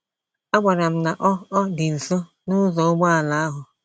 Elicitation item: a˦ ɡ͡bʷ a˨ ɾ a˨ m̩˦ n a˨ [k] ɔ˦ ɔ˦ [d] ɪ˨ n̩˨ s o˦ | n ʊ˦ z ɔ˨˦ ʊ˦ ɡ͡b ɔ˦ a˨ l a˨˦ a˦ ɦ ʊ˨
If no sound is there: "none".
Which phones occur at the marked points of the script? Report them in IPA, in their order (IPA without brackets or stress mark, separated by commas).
ʔ, d